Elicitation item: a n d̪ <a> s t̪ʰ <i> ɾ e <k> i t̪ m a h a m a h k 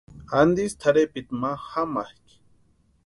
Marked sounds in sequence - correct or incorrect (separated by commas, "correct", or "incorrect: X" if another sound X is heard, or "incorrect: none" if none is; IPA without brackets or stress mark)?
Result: incorrect: i, incorrect: a, incorrect: p